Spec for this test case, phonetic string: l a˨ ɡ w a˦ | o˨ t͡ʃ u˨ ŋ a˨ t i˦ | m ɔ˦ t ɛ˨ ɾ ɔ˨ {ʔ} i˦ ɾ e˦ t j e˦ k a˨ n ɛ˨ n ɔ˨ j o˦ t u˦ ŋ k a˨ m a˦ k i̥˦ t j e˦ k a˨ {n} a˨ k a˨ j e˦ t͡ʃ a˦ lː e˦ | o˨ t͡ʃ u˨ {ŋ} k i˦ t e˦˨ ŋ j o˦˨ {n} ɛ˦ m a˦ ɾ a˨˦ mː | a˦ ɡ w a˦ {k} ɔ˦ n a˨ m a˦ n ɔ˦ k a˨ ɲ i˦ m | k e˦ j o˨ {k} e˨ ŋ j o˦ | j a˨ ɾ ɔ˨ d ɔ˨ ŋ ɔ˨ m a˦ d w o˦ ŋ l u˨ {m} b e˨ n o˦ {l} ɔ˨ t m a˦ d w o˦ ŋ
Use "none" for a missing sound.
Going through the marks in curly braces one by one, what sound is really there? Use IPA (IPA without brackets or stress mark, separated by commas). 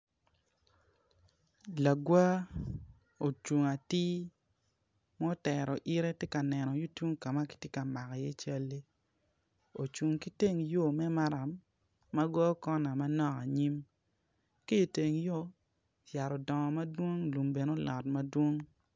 ʔ, m, ŋ, m, k, t, m, l